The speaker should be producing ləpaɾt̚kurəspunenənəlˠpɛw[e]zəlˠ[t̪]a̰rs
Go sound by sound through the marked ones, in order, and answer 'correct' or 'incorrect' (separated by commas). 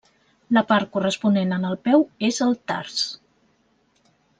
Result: correct, correct